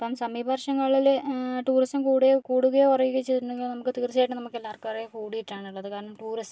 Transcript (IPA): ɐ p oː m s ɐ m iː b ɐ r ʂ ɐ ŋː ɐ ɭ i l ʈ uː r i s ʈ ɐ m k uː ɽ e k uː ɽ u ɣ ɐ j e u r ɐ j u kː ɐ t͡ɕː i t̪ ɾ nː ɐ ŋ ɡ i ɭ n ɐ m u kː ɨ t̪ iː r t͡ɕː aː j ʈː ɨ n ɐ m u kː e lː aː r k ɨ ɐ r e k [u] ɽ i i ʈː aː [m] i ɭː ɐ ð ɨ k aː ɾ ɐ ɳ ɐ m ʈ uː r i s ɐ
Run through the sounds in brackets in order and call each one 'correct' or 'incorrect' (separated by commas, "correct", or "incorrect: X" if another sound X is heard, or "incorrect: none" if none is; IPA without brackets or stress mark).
incorrect: uː, incorrect: ɳ